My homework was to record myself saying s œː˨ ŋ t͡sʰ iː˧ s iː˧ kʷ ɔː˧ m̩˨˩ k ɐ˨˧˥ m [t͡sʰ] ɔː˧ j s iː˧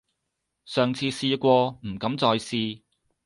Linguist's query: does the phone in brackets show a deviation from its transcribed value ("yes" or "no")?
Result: yes